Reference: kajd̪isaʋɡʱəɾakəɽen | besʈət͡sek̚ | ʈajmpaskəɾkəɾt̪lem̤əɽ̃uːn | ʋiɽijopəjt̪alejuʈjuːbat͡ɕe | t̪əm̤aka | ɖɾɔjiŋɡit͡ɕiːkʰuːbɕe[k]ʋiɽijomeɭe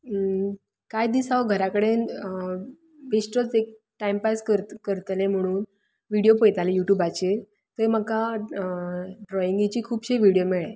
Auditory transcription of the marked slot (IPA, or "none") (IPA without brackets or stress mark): none